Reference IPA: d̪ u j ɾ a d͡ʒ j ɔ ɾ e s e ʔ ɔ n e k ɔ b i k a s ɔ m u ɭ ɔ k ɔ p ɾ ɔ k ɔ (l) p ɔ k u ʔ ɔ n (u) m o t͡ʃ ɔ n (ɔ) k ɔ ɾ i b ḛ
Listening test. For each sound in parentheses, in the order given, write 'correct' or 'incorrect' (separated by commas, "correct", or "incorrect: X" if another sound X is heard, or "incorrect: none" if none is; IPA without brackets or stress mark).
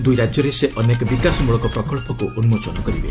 incorrect: ɭ, correct, correct